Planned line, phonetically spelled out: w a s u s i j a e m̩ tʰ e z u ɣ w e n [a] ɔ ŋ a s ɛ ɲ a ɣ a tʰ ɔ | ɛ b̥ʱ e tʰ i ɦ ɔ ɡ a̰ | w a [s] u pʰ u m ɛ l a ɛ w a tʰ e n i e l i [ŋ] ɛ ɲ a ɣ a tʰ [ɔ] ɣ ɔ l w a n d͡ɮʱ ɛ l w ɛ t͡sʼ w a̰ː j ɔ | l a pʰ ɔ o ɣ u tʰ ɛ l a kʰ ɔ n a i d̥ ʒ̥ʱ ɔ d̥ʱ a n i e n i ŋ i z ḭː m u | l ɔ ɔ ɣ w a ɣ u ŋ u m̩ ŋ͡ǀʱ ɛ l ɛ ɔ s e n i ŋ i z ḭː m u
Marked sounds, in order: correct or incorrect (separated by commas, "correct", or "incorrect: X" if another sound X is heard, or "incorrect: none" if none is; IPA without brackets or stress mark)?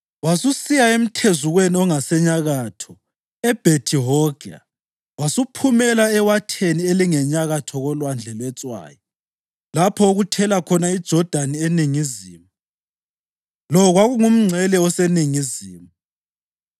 incorrect: i, correct, correct, correct